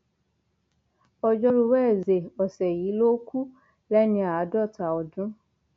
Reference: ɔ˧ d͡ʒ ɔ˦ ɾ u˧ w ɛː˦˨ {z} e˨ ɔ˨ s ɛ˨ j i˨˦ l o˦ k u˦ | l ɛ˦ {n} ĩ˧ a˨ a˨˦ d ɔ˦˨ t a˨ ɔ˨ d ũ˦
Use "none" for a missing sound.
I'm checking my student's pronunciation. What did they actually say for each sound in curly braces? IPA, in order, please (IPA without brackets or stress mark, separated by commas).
z, n